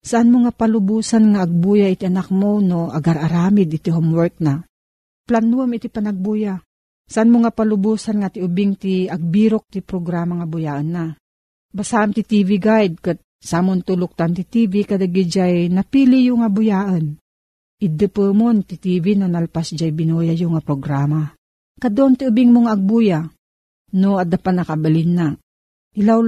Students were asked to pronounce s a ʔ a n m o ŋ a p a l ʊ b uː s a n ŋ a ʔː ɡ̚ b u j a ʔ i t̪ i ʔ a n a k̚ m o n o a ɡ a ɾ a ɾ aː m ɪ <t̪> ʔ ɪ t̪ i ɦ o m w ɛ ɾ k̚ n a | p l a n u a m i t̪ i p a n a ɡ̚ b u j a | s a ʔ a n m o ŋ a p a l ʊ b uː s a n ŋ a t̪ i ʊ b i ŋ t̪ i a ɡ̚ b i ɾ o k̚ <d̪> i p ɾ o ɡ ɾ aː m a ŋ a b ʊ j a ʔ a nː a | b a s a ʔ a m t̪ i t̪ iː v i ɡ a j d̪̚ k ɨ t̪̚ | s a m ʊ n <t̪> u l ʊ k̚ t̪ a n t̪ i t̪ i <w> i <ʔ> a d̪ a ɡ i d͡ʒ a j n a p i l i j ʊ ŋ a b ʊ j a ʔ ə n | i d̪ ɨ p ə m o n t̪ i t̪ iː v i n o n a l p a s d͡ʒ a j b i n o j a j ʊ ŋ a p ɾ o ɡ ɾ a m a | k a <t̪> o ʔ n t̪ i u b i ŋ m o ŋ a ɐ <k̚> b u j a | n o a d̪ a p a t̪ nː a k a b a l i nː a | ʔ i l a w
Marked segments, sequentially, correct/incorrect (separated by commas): incorrect, incorrect, correct, incorrect, incorrect, incorrect, incorrect